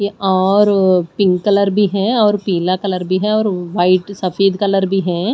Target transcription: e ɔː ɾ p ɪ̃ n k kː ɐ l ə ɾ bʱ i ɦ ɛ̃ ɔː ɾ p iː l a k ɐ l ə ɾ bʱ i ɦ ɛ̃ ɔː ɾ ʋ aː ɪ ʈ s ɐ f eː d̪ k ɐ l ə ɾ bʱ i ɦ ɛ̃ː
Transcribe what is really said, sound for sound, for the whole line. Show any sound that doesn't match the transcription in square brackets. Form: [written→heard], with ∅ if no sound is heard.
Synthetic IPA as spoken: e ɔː ɾ p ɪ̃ [n→ŋ] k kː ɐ l ə ɾ bʱ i ɦ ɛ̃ ɔː ɾ p iː l a k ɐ l ə ɾ bʱ i ɦ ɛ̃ ɔː ɾ ʋ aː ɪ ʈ s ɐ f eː d̪ k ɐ l ə ɾ bʱ i ɦ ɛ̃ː